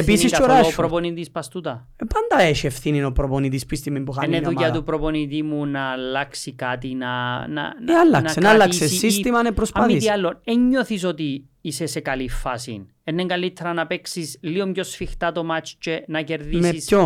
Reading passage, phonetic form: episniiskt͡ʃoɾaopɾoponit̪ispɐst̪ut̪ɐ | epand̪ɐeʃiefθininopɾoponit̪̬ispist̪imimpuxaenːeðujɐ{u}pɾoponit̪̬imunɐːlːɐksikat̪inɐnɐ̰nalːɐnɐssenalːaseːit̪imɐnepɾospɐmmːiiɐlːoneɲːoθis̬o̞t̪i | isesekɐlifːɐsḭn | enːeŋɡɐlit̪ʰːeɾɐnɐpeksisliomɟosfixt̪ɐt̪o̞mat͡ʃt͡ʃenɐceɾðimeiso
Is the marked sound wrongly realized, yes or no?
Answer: no